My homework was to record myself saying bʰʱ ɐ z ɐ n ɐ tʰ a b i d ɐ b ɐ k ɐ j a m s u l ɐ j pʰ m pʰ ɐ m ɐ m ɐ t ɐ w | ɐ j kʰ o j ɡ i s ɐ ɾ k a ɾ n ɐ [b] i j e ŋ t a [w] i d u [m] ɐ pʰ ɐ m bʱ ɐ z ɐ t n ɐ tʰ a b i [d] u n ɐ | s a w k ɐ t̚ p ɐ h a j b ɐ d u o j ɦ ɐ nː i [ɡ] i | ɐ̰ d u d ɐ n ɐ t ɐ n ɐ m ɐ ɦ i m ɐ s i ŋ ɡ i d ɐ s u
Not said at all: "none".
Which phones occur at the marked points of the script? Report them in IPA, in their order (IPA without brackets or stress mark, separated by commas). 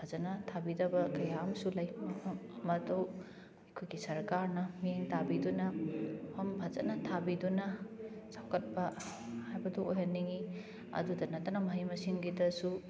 m, b, n, d, ŋ